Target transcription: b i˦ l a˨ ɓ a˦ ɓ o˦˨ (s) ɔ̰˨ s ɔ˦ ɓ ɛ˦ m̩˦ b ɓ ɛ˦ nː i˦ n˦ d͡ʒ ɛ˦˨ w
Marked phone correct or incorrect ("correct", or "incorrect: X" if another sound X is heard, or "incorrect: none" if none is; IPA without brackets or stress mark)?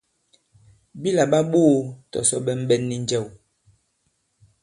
incorrect: t